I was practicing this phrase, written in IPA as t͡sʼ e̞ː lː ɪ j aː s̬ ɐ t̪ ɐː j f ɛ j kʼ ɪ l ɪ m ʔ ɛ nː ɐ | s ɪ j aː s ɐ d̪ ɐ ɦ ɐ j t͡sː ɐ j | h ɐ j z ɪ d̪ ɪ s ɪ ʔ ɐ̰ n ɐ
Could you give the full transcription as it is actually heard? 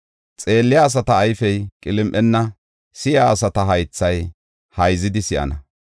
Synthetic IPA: t͡sʼ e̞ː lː ɪ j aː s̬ ɐ t̪ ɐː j f ɛ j kʼ ɪ l ɪ m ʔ ɛ nː ɐ | s ɪ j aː s ɐ t̪ ɐ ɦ ɐ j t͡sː ɐ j | h ɐ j z ɪ d̪ ɪ s ɪ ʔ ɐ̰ n ɐ